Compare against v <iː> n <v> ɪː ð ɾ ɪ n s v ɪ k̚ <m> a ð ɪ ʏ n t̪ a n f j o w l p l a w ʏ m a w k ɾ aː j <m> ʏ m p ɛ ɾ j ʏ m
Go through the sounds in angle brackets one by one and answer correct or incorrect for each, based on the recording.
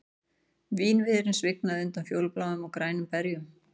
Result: correct, correct, incorrect: n, incorrect: n

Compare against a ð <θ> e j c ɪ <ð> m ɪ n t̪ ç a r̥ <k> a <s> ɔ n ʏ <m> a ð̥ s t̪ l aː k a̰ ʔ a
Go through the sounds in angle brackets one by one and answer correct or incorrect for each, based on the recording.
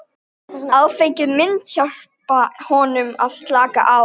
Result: incorrect: f, correct, incorrect: p, incorrect: h, correct

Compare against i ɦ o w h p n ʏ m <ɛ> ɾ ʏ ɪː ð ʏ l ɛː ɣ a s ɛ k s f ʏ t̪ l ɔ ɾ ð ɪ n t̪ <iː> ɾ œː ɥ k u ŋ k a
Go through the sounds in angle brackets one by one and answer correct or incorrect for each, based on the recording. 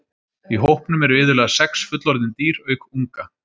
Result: correct, correct

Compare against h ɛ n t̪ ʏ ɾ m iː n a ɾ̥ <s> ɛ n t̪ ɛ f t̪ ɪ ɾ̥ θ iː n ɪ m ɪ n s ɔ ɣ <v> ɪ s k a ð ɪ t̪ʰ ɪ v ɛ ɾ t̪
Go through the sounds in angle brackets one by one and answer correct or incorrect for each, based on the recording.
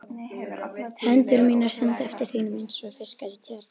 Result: correct, incorrect: f

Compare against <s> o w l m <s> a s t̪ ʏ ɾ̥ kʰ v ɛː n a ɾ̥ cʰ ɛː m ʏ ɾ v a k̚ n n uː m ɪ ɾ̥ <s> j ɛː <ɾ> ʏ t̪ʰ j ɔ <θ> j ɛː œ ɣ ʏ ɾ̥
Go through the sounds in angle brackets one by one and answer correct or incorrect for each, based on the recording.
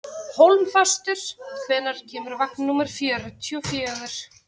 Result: incorrect: h, incorrect: f, incorrect: f, correct, incorrect: f

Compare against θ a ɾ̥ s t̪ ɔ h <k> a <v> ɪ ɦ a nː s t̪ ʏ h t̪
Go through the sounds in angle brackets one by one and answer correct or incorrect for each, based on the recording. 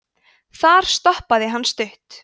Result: incorrect: p, incorrect: ð

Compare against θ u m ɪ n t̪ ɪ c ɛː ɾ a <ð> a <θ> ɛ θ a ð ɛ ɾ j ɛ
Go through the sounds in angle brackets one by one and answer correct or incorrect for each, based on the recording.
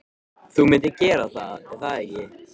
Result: incorrect: θ, incorrect: ð

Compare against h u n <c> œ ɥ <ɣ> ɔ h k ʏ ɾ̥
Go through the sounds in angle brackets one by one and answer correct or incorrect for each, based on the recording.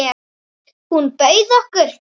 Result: incorrect: p, incorrect: ð

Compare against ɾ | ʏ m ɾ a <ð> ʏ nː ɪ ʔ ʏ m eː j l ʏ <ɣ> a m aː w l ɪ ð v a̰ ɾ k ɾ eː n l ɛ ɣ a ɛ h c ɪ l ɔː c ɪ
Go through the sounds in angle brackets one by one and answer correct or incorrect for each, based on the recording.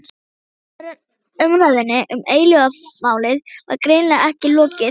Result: correct, correct

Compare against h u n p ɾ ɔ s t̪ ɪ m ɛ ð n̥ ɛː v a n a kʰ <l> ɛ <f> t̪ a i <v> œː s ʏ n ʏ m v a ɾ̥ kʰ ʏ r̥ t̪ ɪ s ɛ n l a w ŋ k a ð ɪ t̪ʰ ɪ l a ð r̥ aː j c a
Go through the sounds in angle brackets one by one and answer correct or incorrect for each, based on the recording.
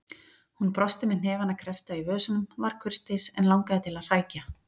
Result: incorrect: ɾ, correct, correct

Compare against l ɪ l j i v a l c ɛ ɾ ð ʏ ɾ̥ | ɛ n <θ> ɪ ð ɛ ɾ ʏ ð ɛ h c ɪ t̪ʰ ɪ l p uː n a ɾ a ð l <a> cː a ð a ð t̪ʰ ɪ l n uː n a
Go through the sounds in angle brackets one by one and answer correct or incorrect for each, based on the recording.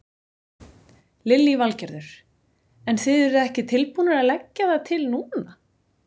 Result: correct, incorrect: ɛ

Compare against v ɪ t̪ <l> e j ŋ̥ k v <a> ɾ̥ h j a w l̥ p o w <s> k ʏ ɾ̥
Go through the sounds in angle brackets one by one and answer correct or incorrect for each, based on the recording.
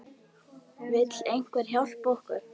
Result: correct, incorrect: ɛ, incorrect: h

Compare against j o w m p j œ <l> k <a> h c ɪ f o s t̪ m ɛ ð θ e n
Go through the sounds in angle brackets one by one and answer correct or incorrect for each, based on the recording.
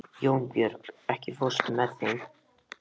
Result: incorrect: ɾ, incorrect: ɛ

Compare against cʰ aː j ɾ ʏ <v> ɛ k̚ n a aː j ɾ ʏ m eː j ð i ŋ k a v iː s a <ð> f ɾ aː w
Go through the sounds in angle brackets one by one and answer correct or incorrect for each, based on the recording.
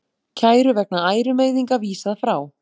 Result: correct, correct

